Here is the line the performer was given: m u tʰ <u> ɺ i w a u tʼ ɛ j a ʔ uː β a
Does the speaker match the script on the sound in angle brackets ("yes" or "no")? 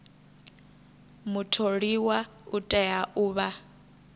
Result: no